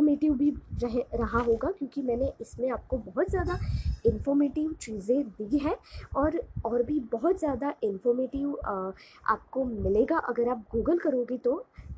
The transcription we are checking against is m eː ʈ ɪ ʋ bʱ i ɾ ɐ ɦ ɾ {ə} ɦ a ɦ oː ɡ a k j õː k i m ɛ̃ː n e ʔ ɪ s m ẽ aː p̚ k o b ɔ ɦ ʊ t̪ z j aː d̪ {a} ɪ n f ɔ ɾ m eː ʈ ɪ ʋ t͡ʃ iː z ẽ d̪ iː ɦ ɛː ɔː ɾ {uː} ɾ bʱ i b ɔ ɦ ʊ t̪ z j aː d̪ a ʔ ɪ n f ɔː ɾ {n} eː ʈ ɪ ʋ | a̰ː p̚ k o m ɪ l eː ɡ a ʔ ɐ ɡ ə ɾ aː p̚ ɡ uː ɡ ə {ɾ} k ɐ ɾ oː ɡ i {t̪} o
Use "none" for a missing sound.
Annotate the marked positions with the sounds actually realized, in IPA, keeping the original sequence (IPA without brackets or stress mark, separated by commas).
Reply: ɐ, a, ɔː, m, l, t̪